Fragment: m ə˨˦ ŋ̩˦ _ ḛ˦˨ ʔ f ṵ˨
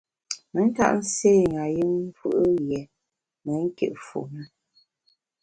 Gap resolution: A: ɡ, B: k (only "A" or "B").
B